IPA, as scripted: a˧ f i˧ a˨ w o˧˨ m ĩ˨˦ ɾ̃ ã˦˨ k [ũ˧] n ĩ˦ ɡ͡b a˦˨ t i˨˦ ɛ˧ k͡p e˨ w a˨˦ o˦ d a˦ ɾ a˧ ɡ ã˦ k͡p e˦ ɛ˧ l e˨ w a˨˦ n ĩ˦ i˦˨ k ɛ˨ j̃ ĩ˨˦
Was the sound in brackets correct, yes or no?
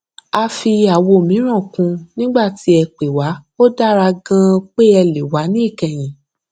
yes